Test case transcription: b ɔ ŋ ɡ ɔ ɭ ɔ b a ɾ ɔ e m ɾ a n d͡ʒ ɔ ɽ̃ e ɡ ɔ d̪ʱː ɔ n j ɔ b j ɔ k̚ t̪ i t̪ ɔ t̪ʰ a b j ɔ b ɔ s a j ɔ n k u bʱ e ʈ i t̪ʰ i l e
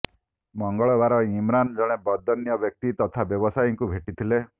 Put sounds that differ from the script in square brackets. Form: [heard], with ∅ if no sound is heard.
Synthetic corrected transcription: [m] ɔ ŋ ɡ ɔ ɭ ɔ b a ɾ ɔ [i] m ɾ a n d͡ʒ ɔ ɽ̃ e [b] ɔ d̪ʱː ɔ n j ɔ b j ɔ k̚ t̪ i t̪ ɔ t̪ʰ a b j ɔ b ɔ s a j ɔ [ŋ] k u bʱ e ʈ i t̪ʰ i l e